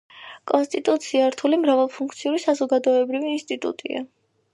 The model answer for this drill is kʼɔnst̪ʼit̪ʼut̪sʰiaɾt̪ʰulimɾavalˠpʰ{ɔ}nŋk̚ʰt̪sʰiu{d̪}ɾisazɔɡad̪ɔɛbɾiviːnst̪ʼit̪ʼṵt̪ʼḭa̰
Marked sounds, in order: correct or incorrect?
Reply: incorrect: u, incorrect: none

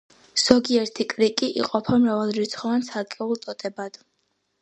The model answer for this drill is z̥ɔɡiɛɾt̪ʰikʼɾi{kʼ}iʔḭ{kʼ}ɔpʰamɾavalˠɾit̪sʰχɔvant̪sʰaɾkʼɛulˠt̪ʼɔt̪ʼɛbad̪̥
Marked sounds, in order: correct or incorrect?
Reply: correct, incorrect: qʼ

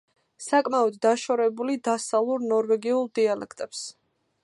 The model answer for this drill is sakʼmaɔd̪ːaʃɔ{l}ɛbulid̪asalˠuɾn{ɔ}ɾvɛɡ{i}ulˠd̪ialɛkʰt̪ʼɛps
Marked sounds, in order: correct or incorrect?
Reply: incorrect: ɾ, correct, correct

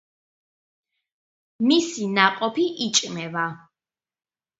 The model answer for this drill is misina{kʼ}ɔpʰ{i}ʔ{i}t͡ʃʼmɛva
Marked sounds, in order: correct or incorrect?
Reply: incorrect: qʼ, correct, correct

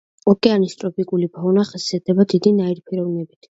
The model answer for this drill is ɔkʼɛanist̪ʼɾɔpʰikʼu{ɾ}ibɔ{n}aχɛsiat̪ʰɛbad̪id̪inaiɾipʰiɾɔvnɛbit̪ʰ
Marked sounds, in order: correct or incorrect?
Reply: incorrect: l, correct

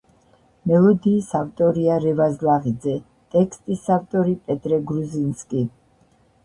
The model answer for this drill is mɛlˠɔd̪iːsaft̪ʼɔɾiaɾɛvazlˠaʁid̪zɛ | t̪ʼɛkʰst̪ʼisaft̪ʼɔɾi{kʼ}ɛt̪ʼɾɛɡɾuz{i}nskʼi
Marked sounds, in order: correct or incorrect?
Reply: incorrect: pʼ, correct

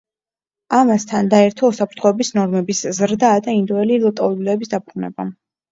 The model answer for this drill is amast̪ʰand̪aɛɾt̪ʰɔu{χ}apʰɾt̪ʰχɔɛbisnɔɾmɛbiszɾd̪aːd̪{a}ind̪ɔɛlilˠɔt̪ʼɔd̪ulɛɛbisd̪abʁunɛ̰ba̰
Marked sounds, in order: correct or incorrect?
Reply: incorrect: s, correct

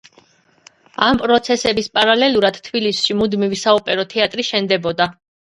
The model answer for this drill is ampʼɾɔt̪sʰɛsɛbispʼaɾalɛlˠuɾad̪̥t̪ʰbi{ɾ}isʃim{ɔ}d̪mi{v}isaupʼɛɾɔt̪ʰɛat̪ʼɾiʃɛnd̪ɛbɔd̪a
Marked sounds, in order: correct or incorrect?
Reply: incorrect: l, incorrect: u, correct

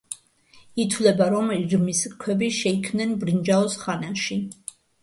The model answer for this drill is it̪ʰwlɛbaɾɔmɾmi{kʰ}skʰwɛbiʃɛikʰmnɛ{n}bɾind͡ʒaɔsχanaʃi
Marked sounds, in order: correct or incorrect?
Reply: incorrect: none, correct

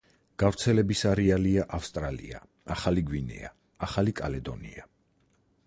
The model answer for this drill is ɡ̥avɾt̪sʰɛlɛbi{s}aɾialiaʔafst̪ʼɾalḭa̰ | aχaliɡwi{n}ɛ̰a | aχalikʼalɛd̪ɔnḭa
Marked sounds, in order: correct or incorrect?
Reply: correct, correct

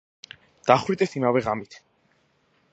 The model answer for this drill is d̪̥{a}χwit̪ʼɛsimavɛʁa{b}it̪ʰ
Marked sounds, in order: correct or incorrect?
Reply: correct, incorrect: m

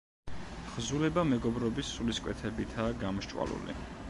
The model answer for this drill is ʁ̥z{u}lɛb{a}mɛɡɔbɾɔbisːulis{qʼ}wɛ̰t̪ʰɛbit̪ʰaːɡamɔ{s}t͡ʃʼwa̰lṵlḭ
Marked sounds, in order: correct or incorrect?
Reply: correct, correct, incorrect: kʼ, incorrect: ʃ

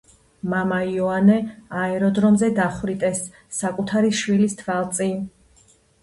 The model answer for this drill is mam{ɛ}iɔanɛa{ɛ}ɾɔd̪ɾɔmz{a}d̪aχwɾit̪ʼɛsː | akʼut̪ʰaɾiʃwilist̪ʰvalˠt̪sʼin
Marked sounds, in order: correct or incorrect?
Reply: incorrect: a, correct, incorrect: ɛ

